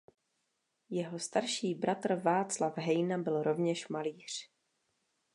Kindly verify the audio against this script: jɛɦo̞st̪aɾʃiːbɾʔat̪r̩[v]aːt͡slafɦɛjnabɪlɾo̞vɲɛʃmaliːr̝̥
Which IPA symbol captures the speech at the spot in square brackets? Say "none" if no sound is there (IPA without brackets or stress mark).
v